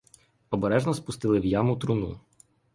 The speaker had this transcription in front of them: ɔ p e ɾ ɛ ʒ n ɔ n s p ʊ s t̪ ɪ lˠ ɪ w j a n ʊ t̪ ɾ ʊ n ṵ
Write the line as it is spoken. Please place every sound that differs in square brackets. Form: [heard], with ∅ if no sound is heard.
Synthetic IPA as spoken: ɔ [b] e ɾ ɛ ʒ n ɔ [∅] s p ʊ s t̪ ɪ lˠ ɪ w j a [m] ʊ t̪ ɾ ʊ n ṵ